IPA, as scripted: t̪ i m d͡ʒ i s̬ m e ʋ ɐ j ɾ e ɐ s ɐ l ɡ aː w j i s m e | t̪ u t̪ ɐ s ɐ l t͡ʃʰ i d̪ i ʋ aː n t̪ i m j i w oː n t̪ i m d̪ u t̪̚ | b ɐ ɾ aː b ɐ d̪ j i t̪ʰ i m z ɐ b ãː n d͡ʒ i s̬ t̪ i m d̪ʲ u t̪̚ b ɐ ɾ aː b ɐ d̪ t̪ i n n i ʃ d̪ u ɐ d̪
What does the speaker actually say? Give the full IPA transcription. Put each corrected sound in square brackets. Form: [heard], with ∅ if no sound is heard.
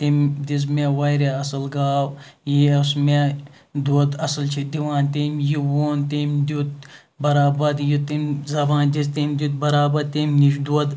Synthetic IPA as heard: t̪ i m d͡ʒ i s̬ m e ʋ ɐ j ɾ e ɐ s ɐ l ɡ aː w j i s m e | [d̪] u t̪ ɐ s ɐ l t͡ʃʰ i d̪ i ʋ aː n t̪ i m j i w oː n t̪ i m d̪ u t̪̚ | b ɐ ɾ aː b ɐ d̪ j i [t̪] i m z ɐ b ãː n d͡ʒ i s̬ t̪ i m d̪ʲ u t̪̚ b ɐ ɾ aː b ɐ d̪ t̪ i [m] n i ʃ d̪ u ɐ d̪